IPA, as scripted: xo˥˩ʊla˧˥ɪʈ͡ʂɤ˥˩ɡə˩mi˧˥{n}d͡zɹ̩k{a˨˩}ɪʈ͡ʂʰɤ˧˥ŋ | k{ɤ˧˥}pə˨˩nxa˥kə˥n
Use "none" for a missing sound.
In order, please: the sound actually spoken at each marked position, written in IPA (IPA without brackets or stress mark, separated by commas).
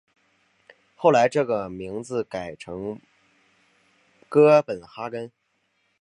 ŋ, a˨˩, ɤ˥